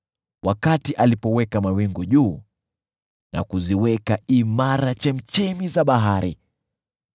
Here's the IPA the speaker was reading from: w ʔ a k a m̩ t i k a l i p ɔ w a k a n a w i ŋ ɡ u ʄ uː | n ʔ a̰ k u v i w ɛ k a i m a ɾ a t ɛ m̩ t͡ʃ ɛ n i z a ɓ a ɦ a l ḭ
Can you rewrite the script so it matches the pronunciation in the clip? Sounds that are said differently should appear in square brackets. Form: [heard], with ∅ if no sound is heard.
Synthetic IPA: w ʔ a k a [∅] t i [ʔ] a l i p ɔ w [ɛ] k a [m] a w i ŋ ɡ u ʄ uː | n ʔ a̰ k u [z] i w ɛ k a i m a ɾ a [t͡ʃ] ɛ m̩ t͡ʃ ɛ [m] i z a ɓ a ɦ a [ɾ] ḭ